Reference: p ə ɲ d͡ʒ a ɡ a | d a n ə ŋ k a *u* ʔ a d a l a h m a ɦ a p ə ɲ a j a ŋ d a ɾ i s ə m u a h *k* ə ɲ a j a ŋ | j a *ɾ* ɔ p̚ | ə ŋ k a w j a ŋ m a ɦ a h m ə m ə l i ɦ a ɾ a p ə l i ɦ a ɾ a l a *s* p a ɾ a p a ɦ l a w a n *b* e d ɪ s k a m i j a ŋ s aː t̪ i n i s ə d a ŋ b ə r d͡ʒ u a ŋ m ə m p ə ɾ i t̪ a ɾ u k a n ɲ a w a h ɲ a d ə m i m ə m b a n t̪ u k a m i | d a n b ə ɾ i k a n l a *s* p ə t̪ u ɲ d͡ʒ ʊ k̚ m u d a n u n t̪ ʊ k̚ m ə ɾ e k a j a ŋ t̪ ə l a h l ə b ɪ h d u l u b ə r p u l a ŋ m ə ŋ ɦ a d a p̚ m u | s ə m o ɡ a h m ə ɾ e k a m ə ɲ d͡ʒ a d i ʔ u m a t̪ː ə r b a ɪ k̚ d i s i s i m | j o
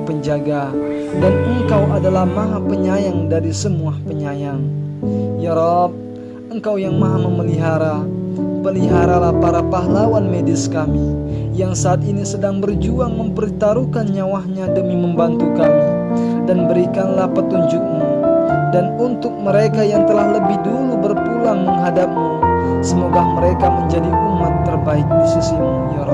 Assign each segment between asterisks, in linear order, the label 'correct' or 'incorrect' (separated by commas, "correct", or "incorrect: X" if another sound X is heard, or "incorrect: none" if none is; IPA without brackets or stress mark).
incorrect: w, incorrect: p, correct, incorrect: h, incorrect: m, incorrect: h